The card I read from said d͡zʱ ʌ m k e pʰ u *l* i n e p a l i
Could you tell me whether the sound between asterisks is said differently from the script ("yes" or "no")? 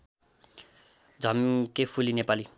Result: no